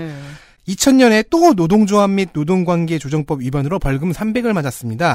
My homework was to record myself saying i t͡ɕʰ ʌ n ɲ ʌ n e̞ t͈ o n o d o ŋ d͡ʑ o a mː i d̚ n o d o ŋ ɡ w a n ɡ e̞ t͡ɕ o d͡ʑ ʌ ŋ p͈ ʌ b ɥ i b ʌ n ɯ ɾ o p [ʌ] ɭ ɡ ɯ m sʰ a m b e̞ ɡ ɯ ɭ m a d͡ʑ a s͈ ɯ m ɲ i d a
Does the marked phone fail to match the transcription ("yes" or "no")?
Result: no